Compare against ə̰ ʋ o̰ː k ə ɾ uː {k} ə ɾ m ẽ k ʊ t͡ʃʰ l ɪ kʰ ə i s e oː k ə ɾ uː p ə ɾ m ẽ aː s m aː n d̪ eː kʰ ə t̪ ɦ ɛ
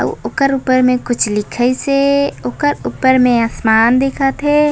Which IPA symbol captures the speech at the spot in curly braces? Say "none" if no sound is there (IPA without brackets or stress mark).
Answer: p